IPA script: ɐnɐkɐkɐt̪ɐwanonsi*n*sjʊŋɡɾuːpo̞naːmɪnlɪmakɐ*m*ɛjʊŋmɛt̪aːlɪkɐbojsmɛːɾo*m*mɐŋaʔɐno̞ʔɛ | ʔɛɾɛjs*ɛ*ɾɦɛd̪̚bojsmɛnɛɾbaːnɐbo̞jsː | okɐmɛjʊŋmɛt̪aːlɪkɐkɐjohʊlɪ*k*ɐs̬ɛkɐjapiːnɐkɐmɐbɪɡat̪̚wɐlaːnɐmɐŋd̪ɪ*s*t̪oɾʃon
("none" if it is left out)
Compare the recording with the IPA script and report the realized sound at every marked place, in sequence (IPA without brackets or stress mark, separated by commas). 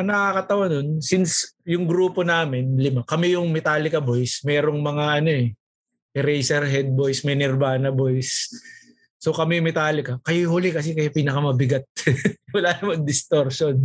n, m, ŋ, ɛ, k, s